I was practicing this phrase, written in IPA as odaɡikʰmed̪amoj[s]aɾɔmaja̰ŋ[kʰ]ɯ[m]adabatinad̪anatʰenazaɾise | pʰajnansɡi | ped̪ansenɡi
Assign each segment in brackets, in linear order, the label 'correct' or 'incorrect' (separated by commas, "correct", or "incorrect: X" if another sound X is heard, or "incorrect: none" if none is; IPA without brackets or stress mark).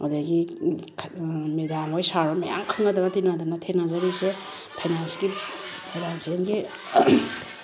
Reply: correct, correct, incorrect: ŋ